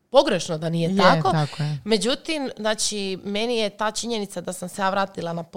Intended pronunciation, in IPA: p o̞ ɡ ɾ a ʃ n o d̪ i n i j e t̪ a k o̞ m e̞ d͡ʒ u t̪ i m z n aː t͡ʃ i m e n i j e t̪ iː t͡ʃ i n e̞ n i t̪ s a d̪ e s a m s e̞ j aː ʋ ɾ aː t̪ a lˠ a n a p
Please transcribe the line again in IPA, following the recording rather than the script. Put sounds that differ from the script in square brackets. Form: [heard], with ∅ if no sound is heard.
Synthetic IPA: p o̞ ɡ ɾ [e] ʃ n o d̪ [a] n i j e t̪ a k o̞ m e̞ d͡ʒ u t̪ i m z n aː t͡ʃ i m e n i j e t̪ [aː] t͡ʃ i [ɲ] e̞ n i t̪ s a d̪ [a] s a m s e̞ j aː ʋ ɾ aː t̪ [i] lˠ a n a p